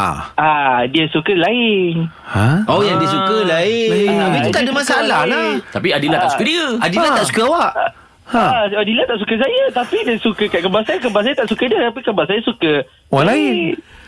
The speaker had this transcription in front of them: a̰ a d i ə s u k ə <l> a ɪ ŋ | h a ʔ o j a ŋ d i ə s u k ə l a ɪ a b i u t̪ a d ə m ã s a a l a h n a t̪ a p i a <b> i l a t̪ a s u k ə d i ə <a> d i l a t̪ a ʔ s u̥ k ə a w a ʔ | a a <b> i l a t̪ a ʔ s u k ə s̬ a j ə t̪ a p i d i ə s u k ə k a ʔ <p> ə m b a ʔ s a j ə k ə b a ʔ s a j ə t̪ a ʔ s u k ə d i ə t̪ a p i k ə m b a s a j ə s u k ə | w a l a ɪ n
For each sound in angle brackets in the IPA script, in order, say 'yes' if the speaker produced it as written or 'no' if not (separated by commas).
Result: yes, no, yes, no, no